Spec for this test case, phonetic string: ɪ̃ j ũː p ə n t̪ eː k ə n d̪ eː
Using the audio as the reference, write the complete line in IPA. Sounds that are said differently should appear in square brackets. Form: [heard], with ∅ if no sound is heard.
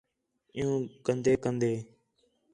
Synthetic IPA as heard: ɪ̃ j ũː [k] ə n [d̪] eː k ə n d̪ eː